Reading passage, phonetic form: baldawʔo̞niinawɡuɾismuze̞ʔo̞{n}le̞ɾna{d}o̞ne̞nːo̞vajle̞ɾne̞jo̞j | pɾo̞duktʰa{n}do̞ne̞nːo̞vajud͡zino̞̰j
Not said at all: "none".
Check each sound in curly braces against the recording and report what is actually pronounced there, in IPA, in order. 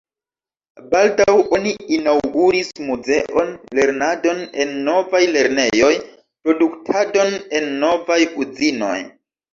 n, d, none

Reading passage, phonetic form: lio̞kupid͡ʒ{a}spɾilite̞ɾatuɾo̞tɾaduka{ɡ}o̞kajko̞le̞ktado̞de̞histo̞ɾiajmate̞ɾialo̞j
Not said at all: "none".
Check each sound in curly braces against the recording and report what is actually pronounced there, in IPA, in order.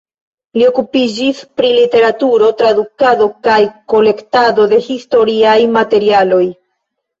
i, d

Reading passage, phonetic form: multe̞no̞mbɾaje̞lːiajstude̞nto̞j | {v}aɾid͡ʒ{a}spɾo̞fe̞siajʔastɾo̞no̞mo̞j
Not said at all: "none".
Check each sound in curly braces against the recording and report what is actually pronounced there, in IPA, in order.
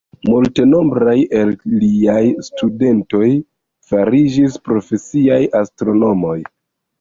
f, i

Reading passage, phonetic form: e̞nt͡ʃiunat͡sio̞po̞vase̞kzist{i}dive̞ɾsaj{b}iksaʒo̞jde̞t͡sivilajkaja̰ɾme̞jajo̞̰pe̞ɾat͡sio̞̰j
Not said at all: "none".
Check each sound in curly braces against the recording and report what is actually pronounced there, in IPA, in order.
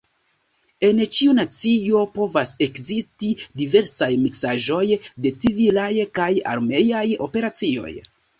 i, m

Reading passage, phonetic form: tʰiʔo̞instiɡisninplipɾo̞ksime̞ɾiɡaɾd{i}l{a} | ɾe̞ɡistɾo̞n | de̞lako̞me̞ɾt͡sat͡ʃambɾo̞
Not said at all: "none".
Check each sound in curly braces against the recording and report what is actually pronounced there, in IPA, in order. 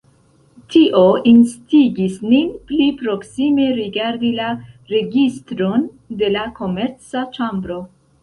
i, a

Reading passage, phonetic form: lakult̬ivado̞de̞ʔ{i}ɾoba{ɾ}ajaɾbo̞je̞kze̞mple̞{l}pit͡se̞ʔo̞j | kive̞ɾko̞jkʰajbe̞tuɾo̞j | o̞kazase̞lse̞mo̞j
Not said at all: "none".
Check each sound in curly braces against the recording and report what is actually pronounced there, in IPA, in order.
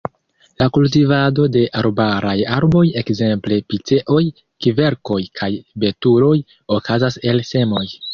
a, ɾ, none

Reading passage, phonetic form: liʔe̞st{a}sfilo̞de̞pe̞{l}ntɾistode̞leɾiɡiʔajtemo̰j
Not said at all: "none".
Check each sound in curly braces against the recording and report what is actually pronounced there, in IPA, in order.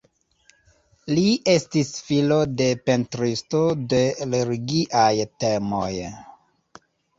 i, none

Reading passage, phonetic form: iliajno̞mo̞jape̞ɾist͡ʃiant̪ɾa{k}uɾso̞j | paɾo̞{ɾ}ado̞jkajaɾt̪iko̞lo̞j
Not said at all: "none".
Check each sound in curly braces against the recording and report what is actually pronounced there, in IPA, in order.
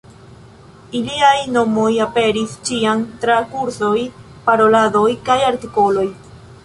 k, l

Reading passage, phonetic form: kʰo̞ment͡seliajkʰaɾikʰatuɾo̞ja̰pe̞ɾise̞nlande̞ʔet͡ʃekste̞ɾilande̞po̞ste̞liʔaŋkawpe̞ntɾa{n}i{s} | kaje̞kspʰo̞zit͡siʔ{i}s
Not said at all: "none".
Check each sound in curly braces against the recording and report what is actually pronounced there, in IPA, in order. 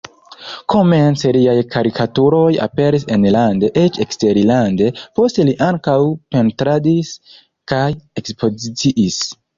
d, s, i

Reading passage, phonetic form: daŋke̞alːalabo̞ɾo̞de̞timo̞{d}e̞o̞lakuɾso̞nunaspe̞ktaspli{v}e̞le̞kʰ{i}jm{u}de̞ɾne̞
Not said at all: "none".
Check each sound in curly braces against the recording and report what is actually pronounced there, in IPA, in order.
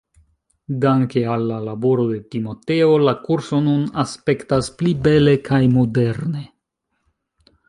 t, b, a, o

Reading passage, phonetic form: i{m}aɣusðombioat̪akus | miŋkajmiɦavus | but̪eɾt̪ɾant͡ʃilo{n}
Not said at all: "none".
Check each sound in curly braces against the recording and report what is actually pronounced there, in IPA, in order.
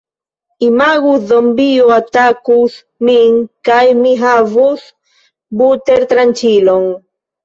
m, ŋ

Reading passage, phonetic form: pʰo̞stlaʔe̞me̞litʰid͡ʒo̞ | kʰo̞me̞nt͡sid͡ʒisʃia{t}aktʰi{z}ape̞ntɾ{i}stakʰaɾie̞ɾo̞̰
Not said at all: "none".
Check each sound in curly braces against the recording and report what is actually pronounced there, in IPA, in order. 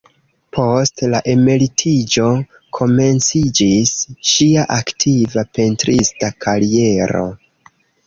ʔ, v, i

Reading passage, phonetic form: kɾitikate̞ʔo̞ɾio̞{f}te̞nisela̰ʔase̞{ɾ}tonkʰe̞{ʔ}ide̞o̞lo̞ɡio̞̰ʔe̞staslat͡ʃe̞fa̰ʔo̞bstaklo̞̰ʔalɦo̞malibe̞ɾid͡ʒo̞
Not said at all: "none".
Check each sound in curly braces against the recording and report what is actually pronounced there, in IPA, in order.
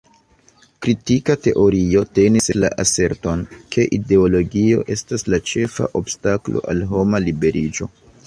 none, ɾ, ʔ

